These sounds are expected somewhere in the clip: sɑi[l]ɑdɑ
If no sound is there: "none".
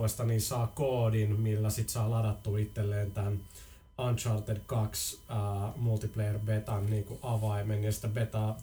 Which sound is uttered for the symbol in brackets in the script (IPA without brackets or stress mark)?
l